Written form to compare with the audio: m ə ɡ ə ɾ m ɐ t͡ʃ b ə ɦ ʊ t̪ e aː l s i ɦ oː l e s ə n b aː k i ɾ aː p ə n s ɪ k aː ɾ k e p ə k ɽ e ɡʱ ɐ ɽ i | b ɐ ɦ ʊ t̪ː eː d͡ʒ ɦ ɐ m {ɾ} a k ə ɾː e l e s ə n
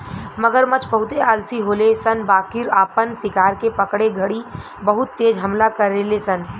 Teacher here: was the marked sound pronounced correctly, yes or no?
no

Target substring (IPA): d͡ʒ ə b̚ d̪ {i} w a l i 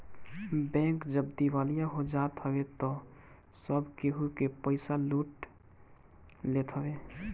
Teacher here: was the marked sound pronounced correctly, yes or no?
yes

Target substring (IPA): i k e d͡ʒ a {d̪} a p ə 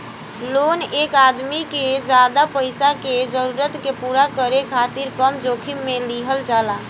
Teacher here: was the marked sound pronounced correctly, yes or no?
yes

